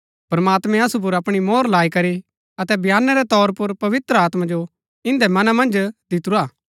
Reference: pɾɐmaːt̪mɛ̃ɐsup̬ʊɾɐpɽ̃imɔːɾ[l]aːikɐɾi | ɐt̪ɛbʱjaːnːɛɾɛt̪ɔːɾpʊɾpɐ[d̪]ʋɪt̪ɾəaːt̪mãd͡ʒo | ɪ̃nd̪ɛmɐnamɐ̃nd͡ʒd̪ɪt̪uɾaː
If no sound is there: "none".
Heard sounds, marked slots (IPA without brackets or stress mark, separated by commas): l, none